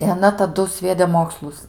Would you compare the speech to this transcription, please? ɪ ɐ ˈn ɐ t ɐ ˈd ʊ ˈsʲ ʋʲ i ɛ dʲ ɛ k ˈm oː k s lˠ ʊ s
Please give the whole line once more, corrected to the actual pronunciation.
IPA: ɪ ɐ ˈn ɐ t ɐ ˈd ʊ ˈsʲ ʋʲ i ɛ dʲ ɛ ˈm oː k s lˠ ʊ s